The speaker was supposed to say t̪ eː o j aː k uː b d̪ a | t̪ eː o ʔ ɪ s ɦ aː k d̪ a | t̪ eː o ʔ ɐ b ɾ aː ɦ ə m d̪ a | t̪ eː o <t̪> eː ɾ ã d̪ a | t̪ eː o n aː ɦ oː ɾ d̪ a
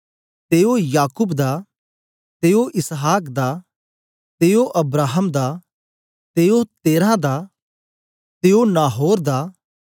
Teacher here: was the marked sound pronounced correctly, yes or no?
yes